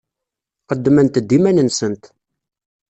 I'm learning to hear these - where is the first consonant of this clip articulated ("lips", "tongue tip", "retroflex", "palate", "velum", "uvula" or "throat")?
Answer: uvula